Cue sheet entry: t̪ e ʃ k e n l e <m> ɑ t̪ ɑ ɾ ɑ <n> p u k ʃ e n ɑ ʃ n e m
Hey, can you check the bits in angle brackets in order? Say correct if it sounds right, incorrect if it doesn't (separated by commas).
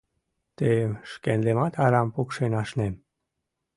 correct, incorrect